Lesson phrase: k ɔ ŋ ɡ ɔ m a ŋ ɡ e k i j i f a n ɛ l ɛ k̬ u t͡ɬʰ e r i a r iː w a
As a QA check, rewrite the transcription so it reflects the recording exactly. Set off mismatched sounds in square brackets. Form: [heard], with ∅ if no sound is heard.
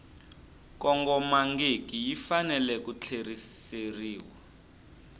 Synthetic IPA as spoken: k ɔ ŋ ɡ ɔ m a ŋ ɡ e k i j i f a n ɛ l ɛ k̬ u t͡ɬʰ e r i [e] r iː w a